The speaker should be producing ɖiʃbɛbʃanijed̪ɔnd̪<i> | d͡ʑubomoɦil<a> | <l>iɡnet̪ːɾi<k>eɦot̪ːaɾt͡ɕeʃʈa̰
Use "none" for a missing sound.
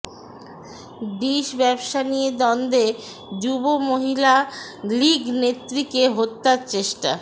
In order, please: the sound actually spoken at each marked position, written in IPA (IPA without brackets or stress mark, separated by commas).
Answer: e, a, l, k